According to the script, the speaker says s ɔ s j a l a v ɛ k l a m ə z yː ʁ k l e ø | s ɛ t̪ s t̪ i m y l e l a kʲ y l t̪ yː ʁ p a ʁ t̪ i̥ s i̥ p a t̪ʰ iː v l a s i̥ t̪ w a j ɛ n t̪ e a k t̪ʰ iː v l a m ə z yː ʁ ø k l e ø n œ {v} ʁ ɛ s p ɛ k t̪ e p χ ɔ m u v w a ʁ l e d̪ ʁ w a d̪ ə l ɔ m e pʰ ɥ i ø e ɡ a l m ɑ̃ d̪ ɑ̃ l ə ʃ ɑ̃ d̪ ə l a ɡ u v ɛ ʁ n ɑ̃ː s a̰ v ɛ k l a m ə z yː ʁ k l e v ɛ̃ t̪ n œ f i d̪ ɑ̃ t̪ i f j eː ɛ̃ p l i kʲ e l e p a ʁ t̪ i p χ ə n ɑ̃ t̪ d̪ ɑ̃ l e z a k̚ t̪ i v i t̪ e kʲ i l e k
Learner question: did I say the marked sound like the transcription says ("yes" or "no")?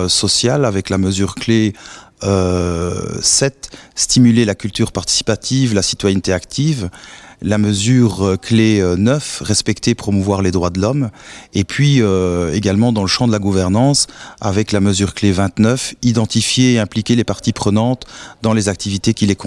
no